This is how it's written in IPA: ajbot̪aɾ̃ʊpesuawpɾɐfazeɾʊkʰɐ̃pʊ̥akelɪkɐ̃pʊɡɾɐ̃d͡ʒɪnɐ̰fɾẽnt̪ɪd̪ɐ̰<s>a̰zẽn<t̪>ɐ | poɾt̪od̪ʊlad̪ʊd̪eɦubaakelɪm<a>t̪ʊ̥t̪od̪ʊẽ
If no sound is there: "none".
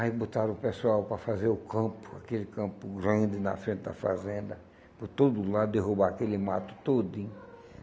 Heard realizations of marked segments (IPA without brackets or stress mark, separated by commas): f, d̪, a